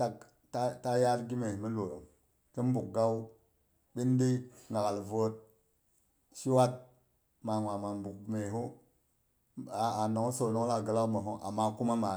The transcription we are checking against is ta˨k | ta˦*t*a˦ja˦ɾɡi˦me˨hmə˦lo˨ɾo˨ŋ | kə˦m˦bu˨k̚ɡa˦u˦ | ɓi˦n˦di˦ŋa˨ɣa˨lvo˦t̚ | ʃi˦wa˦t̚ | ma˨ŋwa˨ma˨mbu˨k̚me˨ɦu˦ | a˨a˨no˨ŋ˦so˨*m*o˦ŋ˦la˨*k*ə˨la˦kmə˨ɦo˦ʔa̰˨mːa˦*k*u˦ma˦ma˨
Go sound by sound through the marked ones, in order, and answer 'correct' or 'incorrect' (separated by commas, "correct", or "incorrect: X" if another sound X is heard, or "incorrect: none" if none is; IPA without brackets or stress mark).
correct, incorrect: n, incorrect: ɡ, correct